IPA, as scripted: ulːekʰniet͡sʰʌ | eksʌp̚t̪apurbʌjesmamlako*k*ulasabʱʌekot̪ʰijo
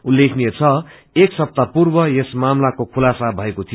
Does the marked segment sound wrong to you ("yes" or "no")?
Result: yes